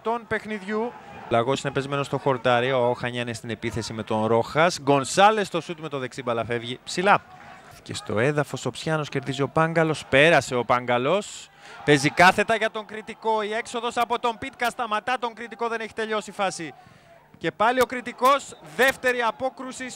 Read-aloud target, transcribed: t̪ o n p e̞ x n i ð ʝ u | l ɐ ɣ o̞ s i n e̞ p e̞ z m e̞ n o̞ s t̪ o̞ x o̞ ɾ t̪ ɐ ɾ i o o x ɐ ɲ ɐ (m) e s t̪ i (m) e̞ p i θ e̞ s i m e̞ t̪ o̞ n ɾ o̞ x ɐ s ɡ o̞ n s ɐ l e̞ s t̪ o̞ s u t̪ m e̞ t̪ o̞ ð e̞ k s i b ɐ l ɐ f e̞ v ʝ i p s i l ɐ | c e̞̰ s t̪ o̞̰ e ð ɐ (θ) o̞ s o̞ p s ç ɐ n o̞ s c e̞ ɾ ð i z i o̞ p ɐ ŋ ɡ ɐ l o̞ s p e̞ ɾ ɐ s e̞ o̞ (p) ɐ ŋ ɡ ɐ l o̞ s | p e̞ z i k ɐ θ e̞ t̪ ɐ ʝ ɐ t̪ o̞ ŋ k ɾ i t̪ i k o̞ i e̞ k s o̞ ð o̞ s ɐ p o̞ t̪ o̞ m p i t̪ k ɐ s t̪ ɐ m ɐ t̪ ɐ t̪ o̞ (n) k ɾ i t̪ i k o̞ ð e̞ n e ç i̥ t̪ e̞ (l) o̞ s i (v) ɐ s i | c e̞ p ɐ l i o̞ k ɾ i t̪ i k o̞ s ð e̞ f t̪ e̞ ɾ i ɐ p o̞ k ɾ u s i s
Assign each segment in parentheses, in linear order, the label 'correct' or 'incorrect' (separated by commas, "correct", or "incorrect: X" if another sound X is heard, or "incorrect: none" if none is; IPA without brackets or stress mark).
incorrect: n, incorrect: n, incorrect: f, correct, incorrect: ŋ, incorrect: ʎ, incorrect: f